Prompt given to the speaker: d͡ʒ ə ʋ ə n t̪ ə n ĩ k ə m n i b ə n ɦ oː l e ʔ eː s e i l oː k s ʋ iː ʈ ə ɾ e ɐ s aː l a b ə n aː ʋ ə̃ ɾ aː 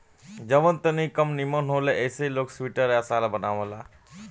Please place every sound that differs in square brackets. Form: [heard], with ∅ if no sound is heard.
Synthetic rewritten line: d͡ʒ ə ʋ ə n t̪ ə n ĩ k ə m n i [m] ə n ɦ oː l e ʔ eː s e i l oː k s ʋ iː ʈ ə ɾ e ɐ s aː l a b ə n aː ʋ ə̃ [l] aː